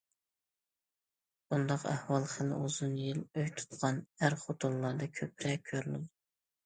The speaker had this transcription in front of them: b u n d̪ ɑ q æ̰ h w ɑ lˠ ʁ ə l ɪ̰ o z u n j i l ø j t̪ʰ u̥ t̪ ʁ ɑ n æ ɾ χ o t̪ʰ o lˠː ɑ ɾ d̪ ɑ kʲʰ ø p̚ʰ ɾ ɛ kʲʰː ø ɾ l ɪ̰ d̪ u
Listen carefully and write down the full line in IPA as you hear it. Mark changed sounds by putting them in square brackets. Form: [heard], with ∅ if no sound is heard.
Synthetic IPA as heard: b u n d̪ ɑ q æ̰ h w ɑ lˠ [χ] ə l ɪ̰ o z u n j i l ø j t̪ʰ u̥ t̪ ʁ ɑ n æ ɾ χ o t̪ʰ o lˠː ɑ ɾ d̪ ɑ kʲʰ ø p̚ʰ ɾ ɛ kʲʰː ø ɾ l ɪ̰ d̪ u